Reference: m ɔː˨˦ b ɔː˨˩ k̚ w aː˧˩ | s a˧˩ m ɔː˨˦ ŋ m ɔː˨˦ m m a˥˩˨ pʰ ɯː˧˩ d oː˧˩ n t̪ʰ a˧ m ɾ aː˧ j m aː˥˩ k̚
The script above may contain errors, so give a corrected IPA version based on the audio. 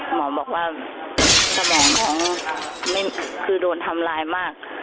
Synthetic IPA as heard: m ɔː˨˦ b ɔː˨˩ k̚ w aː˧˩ | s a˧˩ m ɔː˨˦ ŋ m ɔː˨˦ ŋ m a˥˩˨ kʰ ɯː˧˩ d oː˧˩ n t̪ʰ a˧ m l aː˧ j m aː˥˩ k̚